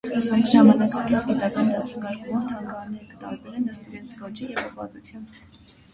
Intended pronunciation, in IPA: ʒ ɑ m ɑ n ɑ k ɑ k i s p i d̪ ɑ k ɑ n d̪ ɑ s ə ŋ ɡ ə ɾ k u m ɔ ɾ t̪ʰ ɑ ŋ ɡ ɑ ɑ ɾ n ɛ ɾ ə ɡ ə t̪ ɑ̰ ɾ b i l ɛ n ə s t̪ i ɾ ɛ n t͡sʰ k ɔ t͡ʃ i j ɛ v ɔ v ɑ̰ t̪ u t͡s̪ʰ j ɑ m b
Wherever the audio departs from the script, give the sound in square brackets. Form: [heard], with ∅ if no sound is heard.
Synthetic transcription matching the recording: ʒ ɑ m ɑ n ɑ k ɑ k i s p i [t̪] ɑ k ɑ n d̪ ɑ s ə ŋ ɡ [ɑ] ɾ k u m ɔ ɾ t̪ʰ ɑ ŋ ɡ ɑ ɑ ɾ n ɛ ɾ ə [k] ə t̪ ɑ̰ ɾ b [ɛ] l ɛ n ə s t̪ i ɾ ɛ n t͡sʰ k ɔ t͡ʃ i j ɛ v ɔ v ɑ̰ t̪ u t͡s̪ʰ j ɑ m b